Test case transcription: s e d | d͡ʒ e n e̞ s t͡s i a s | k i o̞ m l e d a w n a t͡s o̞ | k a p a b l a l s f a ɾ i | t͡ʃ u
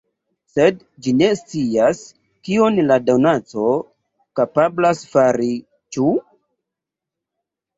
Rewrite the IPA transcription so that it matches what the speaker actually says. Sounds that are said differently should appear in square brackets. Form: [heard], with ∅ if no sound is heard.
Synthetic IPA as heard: s e d | d͡ʒ [i] n e̞ s t͡s i a s | k i o̞ [n] l [a] d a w n a t͡s o̞ | k a p a b l a [∅] s f a ɾ i | t͡ʃ u